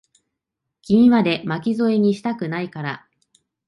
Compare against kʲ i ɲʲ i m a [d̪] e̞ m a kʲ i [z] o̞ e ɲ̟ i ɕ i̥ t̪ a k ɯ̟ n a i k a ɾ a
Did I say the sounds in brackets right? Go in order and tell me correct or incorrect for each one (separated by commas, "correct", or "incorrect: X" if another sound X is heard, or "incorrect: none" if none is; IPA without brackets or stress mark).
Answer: correct, correct